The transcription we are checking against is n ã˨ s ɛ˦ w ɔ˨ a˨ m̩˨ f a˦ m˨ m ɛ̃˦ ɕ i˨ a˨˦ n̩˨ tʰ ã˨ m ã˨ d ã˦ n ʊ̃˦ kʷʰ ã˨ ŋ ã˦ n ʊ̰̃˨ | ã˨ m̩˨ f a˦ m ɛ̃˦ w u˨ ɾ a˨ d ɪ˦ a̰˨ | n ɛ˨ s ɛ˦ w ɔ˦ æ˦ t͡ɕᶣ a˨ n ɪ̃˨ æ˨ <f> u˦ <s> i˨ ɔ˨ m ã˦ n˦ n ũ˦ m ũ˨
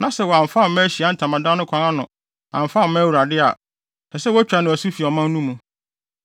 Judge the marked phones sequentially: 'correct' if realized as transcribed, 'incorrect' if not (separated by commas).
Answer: incorrect, incorrect